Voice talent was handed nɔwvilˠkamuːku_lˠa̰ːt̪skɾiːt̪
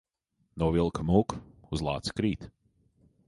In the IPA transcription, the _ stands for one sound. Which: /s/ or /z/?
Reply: z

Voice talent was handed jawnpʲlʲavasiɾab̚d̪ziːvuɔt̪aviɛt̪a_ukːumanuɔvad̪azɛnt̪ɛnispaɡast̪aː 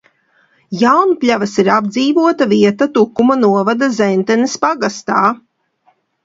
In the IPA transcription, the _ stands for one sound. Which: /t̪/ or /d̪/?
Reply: t̪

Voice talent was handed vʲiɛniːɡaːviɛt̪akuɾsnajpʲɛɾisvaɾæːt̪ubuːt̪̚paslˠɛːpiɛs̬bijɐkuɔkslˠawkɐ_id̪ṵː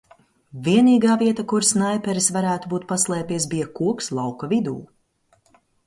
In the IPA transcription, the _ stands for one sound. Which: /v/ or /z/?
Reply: v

